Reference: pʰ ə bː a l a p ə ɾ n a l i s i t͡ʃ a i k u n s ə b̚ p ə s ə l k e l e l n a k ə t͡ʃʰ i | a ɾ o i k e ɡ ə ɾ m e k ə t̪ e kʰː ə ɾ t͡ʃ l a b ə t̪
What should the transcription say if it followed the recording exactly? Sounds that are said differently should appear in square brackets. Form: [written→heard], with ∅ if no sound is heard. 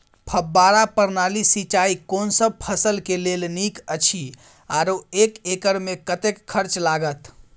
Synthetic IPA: pʰ ə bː a [l→ɾ] a p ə ɾ n a l i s i t͡ʃ a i k [u→o] n s ə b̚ [p→pʰ] ə s ə l k e l e l n [a→i] k ə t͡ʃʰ i | a ɾ o [i→e] k e [ɡ→k] ə ɾ m e k ə t̪ e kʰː ə ɾ t͡ʃ l a [b→ɡ] ə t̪